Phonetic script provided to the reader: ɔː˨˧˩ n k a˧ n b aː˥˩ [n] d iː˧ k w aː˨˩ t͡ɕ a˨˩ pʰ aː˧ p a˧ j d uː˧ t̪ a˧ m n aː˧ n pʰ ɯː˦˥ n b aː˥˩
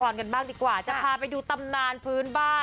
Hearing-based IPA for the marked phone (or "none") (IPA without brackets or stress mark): ŋ